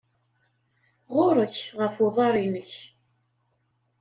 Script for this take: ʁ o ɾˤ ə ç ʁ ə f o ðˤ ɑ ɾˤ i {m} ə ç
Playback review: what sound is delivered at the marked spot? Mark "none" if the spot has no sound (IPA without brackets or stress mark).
n